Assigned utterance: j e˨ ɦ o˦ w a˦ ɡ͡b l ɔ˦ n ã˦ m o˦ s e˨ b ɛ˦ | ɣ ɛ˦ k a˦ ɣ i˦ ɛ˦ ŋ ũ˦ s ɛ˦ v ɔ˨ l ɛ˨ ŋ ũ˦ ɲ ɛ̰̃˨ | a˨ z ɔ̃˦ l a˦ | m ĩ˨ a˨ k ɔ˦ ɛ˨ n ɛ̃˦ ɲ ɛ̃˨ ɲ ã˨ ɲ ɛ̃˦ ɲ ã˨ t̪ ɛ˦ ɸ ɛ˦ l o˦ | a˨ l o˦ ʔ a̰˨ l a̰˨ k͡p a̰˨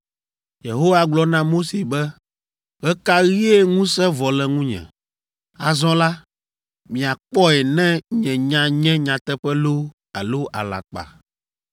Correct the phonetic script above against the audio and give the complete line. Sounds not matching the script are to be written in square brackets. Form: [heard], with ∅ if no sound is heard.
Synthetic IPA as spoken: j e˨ ɦ o˦ w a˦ ɡ͡b l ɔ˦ n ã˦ m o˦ s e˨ b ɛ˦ | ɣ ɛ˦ k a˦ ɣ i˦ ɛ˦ ŋ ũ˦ s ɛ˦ v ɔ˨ l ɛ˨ ŋ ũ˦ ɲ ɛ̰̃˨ | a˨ z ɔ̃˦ l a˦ | m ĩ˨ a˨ [k͡p] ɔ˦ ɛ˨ n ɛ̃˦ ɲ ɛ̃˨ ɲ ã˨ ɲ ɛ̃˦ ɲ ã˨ t̪ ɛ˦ ɸ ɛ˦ l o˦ | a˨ l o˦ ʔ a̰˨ l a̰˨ k͡p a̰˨